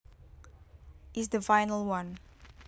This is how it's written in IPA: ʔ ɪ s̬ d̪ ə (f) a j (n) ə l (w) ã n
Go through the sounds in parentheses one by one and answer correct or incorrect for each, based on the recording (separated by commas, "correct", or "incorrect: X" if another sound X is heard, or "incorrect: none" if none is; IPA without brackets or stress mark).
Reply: correct, correct, correct